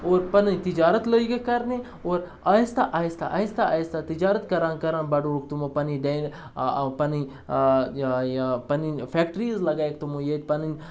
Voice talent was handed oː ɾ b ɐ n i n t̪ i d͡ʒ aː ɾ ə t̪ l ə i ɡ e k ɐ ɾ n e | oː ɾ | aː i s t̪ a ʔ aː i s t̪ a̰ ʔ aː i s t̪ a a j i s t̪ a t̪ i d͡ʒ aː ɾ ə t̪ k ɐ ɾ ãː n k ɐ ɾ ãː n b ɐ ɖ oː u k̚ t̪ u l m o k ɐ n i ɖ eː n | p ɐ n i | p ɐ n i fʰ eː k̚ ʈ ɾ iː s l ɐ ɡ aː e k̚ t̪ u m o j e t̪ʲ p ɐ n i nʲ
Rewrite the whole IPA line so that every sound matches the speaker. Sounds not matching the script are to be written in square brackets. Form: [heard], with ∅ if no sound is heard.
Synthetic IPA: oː ɾ [p] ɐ n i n t̪ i d͡ʒ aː ɾ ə t̪ l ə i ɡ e k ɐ ɾ n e | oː ɾ | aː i s t̪ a ʔ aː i s t̪ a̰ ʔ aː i s t̪ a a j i s t̪ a t̪ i d͡ʒ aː ɾ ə t̪ k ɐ ɾ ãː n k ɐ ɾ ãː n b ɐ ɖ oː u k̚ t̪ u [∅] m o [p] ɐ n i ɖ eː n | p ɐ n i | p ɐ n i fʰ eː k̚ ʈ ɾ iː [z] l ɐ ɡ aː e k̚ t̪ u m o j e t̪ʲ p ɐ n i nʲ